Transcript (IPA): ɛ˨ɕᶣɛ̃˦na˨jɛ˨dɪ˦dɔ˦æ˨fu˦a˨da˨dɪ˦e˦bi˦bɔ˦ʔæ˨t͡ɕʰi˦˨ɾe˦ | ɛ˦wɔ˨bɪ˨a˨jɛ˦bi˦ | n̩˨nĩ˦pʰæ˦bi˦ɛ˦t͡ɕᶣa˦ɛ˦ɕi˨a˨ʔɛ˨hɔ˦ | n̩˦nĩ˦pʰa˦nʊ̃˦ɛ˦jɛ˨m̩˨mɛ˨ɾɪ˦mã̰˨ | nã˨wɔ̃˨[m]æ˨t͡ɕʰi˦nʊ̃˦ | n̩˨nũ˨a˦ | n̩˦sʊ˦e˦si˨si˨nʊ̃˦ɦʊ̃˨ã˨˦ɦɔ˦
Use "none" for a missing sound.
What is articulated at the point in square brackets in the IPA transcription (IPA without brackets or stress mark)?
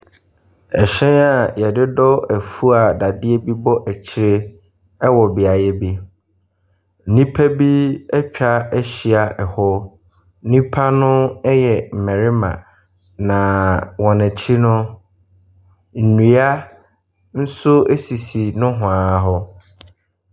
n